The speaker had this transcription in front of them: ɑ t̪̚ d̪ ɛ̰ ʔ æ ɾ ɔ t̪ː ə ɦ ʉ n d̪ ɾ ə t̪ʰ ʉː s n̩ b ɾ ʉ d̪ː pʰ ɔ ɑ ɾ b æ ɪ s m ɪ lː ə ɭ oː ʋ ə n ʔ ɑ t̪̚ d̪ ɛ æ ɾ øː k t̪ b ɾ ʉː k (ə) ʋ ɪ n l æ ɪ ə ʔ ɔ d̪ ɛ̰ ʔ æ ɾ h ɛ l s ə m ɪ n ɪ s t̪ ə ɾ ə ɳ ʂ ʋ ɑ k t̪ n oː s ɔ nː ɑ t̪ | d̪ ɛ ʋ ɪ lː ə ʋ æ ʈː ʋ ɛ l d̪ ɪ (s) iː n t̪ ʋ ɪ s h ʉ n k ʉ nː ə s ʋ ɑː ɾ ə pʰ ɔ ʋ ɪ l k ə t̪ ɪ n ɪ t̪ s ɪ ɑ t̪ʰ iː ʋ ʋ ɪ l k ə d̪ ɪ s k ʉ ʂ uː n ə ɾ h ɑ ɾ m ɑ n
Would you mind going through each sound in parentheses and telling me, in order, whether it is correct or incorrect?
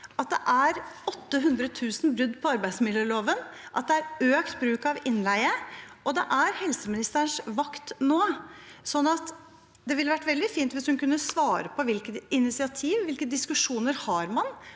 incorrect: ɑ, incorrect: f

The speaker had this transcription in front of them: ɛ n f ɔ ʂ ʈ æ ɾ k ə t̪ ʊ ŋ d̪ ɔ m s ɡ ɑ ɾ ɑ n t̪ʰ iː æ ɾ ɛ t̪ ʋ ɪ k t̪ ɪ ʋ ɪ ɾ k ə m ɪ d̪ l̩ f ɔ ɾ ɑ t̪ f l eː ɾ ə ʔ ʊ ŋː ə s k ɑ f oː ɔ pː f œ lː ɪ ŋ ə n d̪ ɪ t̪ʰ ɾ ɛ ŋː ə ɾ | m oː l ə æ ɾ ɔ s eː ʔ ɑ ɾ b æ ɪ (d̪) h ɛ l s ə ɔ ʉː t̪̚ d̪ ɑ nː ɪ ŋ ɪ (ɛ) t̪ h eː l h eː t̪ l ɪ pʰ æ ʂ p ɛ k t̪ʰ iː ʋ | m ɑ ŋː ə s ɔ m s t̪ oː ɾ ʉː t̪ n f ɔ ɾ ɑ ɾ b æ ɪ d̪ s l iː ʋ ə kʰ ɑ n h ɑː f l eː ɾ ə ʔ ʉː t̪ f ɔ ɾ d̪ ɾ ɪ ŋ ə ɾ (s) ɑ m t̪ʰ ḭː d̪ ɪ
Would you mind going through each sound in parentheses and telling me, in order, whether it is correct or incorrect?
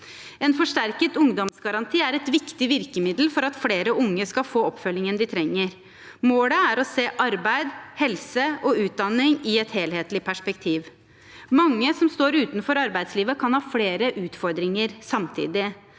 correct, correct, correct

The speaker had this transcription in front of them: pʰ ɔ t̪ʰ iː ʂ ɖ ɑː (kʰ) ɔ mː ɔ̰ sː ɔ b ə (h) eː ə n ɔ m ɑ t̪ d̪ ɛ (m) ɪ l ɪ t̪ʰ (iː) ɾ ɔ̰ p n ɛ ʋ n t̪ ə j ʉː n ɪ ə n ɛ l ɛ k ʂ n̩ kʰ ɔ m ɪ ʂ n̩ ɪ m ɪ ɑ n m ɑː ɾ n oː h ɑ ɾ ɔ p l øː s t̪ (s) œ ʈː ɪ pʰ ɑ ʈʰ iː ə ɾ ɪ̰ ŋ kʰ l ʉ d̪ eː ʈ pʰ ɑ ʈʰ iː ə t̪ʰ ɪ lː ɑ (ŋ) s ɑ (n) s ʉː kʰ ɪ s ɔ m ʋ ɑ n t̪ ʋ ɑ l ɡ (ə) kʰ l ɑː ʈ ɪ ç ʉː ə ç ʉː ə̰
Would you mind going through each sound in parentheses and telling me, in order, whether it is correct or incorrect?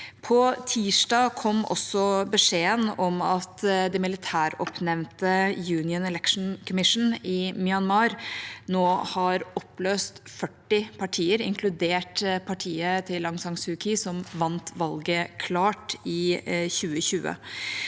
correct, incorrect: ʂ, correct, incorrect: æː, incorrect: f, correct, incorrect: ŋ, correct

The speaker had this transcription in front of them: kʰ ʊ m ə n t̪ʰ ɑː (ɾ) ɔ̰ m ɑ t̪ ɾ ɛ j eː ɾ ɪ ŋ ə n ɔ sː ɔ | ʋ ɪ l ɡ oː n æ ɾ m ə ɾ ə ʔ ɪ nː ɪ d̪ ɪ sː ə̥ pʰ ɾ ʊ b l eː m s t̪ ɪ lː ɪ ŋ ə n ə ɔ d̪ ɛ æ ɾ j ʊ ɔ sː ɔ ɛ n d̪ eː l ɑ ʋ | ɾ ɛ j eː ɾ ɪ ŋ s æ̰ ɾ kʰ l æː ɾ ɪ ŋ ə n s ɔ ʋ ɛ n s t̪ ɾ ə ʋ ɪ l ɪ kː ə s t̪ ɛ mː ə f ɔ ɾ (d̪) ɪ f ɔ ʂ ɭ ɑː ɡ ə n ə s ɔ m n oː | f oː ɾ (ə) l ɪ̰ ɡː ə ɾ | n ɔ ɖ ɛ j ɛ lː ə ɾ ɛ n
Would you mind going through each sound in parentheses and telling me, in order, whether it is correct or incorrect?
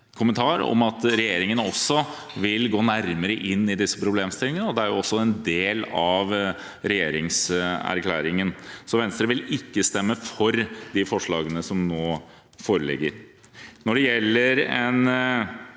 correct, correct, correct

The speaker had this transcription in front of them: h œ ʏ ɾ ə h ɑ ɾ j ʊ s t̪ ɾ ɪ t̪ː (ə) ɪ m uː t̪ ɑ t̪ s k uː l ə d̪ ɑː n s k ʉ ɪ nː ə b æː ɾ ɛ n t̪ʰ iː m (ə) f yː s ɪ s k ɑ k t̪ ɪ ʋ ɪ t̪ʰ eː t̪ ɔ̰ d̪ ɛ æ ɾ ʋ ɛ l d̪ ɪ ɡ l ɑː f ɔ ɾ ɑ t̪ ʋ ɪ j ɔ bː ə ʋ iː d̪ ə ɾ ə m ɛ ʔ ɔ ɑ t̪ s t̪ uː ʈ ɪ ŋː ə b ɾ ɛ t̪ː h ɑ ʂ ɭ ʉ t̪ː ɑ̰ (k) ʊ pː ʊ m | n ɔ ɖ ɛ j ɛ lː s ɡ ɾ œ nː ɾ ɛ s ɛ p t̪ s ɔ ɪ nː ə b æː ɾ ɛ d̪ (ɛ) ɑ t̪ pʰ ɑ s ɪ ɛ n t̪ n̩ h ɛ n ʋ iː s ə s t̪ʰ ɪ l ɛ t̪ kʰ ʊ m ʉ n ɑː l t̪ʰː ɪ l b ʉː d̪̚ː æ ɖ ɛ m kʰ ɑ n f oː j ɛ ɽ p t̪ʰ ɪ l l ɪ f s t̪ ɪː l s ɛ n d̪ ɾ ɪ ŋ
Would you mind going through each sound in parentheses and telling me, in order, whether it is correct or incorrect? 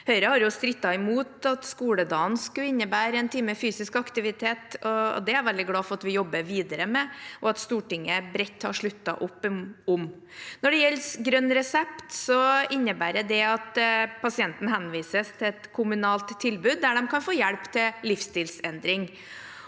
incorrect: ɑ, correct, incorrect: ʔ, correct

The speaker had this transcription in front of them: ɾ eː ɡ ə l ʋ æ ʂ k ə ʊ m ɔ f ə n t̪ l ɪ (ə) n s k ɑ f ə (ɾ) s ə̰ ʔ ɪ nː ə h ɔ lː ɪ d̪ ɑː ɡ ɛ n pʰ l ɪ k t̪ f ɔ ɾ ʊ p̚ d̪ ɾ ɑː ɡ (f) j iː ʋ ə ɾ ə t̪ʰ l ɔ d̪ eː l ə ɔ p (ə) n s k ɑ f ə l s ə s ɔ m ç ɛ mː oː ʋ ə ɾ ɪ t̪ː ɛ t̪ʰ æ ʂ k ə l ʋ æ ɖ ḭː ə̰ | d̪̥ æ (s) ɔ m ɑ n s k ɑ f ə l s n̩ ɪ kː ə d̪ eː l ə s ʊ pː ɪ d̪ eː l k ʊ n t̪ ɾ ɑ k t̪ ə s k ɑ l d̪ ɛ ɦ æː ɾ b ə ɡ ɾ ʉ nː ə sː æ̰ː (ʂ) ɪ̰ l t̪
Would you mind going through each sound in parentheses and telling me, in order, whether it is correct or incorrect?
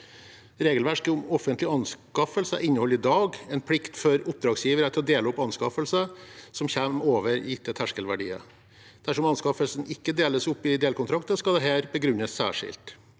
incorrect: ɑ, incorrect: l, incorrect: s, incorrect: ɑ, incorrect: ʂ, correct

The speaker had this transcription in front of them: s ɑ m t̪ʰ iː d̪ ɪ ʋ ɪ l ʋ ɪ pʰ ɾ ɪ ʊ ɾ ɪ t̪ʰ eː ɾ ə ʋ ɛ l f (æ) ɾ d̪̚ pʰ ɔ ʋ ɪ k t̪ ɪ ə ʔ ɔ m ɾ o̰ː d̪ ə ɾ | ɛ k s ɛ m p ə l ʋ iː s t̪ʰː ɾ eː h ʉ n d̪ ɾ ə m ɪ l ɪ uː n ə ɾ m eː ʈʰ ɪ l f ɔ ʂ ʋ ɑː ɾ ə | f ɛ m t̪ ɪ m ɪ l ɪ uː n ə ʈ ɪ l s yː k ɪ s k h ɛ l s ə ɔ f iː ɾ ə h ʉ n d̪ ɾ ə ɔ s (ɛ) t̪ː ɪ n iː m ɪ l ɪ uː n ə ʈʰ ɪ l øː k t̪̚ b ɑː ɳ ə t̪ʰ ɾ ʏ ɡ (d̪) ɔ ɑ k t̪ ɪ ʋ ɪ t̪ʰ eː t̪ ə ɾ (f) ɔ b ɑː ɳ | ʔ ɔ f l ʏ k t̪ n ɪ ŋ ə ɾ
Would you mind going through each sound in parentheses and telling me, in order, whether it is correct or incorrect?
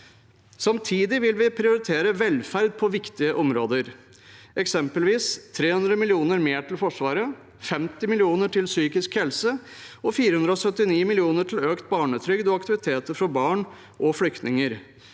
correct, incorrect: œ, correct, correct

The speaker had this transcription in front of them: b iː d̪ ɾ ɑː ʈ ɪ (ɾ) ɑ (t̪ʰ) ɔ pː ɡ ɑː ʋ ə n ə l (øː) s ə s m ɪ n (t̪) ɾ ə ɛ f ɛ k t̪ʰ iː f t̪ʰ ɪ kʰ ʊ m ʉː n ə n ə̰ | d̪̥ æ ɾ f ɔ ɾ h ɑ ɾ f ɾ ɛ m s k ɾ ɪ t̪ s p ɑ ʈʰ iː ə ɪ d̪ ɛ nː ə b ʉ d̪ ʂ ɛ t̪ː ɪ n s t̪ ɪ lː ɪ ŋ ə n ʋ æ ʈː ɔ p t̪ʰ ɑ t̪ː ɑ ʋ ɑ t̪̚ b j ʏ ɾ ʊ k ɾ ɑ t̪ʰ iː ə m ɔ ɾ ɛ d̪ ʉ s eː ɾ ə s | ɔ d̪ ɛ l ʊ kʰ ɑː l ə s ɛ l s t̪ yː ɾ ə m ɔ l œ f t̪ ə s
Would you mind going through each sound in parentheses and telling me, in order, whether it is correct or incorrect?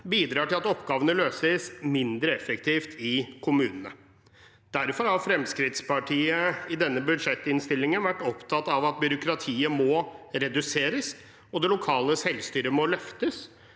incorrect: l, incorrect: t̪, correct, incorrect: d̪

